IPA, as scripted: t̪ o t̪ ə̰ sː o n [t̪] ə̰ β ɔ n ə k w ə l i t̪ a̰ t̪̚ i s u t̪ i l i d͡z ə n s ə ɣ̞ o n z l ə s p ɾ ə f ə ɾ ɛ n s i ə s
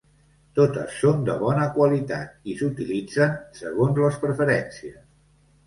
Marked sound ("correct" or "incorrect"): incorrect